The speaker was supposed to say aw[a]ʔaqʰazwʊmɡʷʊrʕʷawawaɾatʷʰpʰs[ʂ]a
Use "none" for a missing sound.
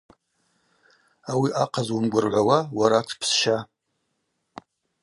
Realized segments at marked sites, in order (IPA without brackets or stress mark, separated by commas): i, ʃ